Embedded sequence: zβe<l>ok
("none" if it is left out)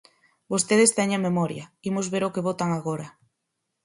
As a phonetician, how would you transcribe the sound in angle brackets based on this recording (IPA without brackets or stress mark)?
ɾ